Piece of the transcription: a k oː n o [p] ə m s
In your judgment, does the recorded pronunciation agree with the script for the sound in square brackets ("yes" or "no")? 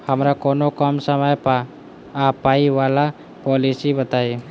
no